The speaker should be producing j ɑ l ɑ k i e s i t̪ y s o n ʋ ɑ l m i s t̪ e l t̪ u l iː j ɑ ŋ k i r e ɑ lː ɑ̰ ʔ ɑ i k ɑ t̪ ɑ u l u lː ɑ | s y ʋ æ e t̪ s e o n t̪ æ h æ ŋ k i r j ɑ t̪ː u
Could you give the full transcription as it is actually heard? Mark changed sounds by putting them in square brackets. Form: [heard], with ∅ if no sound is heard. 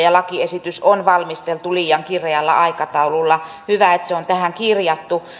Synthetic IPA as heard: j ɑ l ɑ k i e s i t̪ y s o n ʋ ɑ l m i s t̪ e l t̪ u l iː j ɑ ŋ k i r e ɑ lː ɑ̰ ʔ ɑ i k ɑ t̪ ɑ u l u lː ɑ | [h] y ʋ æ e t̪ s e o n t̪ æ h æ ŋ k i r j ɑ t̪ː u

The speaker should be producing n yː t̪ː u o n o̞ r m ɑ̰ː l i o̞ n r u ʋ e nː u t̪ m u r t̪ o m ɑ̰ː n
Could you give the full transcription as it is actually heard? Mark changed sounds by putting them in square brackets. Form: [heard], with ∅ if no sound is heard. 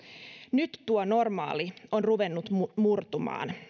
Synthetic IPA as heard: n [y] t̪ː u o n o̞ r m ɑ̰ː l i o̞ n r u ʋ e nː u t̪ m u r t̪ [u] m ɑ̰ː n

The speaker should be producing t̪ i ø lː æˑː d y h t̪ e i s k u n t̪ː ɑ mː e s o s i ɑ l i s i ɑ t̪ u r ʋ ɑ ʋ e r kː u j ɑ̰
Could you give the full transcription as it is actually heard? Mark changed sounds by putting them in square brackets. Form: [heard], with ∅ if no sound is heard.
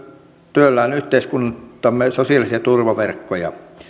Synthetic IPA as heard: t̪ [y] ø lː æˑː [n] y h t̪ e i s k u n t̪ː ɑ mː e s o s i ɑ l i s i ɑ t̪ u r ʋ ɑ ʋ e r kː [o] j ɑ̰

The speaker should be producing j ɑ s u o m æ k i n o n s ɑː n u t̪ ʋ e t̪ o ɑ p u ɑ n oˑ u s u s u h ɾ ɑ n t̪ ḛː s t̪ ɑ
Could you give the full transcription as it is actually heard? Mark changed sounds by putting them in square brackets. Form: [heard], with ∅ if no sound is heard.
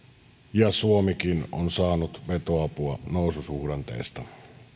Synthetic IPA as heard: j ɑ s u o m [i] k i n o n s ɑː n u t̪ ʋ e t̪ o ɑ p u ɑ n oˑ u s u s u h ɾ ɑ n t̪ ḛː s t̪ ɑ

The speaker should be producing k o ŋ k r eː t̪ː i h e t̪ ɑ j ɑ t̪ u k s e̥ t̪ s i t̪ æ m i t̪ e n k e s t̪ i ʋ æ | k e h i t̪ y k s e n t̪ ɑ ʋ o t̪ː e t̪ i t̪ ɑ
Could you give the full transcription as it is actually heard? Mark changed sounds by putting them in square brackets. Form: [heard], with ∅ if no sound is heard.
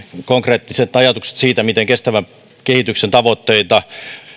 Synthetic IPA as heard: k o ŋ k r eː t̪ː i [s] e t̪ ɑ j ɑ t̪ u k s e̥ t̪ s [iː] t̪ æ m i t̪ e [ŋ] k e s t̪ [æ] ʋ æ | k e h i t̪ y k s e n t̪ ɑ ʋ o t̪ː e [∅] i t̪ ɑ

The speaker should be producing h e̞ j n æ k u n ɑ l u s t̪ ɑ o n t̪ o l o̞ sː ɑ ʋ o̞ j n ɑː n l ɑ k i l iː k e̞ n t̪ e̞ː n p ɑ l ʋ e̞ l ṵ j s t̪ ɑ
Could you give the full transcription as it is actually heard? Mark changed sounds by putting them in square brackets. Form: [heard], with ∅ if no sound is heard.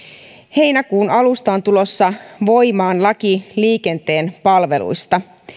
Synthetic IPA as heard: h e̞ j n æ k [uː] n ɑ l u s t̪ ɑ o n t̪ [u] l o̞ sː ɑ ʋ o̞ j [m] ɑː n l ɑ k i l iː k e̞ n t̪ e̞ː n p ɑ l ʋ e̞ l ṵ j s t̪ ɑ

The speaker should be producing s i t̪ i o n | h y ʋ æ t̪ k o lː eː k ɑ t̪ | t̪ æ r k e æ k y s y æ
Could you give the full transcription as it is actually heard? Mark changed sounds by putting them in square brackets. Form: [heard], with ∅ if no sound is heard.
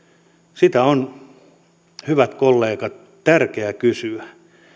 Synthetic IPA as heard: s i t̪ [æ] o n | h y ʋ æ t̪ k o lː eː k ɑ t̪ | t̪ æ r k e æ k y s y æ

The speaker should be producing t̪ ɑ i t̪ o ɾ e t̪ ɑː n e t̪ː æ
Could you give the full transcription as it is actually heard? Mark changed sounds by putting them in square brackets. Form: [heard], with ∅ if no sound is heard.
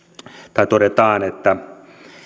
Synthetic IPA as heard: t̪ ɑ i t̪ o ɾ e t̪ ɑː n e t̪ː æ

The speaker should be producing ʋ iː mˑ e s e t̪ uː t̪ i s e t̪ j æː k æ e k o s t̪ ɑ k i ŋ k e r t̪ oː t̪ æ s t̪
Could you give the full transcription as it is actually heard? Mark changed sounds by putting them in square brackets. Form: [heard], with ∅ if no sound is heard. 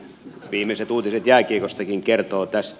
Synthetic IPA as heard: ʋ iː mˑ e s e t̪ uː t̪ i s e t̪ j æː k [i] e k o s t̪ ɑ k i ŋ k e r t̪ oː t̪ æ s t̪

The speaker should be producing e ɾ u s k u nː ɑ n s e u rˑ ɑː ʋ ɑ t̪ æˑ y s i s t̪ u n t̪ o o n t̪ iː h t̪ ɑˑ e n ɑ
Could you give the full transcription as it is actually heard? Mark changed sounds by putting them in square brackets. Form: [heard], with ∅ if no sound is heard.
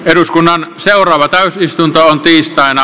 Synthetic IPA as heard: e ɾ u s k u nː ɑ n s e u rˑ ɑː ʋ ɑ t̪ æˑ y s i s t̪ u n t̪ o o n t̪ iː [s] t̪ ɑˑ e n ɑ

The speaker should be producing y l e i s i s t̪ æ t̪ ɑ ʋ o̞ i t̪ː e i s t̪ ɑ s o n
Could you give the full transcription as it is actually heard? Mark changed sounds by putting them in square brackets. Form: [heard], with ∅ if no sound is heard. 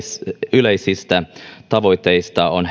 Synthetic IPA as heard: y l e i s i s t̪ æ t̪ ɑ ʋ o̞ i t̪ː e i s t̪ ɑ [∅] o n

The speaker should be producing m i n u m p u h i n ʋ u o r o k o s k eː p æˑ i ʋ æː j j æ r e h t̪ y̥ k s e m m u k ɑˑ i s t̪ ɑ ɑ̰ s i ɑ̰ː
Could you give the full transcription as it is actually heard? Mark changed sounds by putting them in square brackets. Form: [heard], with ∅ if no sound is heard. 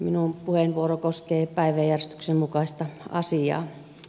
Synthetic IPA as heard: m i n u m p u h [e] n ʋ u o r o k o s k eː p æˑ i ʋ [æ] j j æ r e [s] t̪ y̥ k s e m m u k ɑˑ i s t̪ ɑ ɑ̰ s i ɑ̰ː

